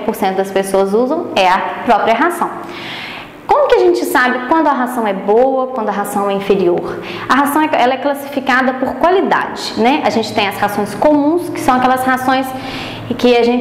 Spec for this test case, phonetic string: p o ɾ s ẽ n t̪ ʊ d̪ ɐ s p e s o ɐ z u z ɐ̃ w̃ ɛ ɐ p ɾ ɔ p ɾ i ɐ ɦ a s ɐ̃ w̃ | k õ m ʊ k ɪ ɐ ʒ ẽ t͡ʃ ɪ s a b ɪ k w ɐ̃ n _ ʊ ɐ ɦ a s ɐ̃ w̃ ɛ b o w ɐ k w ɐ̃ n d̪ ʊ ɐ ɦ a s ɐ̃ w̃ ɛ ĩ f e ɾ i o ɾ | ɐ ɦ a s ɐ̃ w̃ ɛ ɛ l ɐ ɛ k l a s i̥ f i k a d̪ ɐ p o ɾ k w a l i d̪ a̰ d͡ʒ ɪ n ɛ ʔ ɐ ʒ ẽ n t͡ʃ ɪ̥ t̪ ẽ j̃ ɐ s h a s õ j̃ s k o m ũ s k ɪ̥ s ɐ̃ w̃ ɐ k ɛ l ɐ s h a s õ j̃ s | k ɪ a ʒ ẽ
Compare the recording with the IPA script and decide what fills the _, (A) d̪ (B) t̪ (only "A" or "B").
A